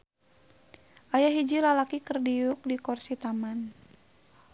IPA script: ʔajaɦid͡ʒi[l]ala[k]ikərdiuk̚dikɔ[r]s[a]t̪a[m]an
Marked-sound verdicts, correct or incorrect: correct, correct, correct, incorrect: i, correct

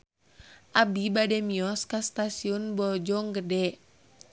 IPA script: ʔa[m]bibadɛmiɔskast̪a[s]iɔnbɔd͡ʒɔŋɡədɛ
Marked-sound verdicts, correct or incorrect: incorrect: none, correct

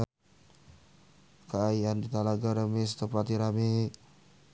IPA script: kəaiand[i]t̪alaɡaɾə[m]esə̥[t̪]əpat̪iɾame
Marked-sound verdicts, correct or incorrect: correct, correct, correct

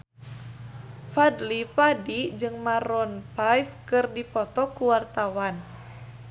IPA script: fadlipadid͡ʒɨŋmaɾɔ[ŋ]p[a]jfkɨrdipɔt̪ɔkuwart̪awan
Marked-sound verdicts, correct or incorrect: incorrect: n, correct

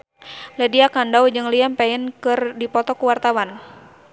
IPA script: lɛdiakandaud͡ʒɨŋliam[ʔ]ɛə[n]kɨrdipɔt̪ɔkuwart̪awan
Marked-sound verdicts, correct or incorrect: incorrect: p, correct

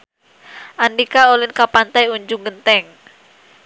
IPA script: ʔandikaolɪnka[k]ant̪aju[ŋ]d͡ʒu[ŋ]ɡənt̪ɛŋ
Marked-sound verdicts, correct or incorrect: incorrect: p, incorrect: ɲ, correct

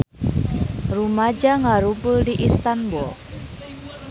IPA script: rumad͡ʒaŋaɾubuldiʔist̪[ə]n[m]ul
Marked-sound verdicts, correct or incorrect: incorrect: a, incorrect: b

